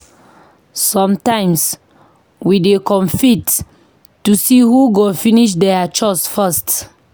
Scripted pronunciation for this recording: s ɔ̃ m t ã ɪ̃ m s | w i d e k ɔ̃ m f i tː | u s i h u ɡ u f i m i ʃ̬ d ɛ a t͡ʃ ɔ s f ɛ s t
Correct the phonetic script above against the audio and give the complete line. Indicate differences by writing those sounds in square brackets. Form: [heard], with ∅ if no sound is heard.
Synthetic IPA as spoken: s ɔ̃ m t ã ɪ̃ m s | w i d e k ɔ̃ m f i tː | u s i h u ɡ [o] f i [n] i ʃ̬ d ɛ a t͡ʃ ɔ s f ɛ s t